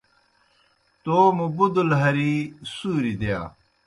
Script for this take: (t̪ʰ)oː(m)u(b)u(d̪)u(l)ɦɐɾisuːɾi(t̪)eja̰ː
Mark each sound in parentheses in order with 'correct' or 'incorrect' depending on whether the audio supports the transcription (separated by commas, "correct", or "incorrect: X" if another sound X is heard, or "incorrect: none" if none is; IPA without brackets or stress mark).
incorrect: t̪, correct, correct, correct, correct, incorrect: d̪